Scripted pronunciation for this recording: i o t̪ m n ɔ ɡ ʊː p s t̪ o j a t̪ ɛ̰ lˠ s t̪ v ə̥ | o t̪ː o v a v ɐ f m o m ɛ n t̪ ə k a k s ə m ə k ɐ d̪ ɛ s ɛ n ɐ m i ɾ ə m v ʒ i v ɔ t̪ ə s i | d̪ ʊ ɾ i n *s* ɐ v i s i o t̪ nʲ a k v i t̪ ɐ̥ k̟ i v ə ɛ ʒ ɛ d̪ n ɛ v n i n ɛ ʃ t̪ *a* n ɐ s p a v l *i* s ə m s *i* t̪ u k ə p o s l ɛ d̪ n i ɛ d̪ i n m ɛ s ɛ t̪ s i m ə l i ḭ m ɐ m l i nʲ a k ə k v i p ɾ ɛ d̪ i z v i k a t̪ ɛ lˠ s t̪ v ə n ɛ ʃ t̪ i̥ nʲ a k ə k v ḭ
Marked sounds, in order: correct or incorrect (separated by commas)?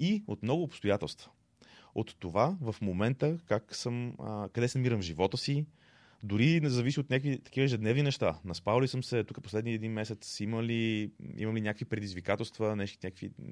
incorrect, correct, correct, incorrect